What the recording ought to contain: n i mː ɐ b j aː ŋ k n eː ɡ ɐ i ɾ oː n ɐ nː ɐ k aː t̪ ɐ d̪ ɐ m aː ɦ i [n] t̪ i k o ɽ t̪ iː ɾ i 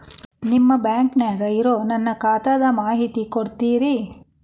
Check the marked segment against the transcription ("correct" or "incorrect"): incorrect